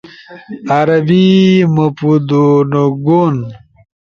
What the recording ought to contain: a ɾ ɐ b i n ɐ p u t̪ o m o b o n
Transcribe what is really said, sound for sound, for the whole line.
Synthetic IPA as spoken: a ɾ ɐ b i m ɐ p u d̪ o n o ɡ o n